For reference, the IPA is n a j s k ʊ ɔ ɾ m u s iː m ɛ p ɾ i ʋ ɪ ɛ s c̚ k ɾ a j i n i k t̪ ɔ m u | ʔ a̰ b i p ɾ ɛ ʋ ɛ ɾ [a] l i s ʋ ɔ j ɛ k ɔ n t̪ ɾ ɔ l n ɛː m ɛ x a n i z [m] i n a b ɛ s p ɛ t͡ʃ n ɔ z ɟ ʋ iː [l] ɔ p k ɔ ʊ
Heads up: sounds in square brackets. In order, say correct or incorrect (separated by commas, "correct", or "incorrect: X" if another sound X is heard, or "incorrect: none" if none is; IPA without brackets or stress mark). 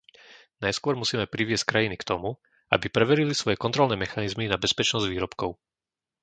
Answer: incorrect: i, correct, incorrect: ɾ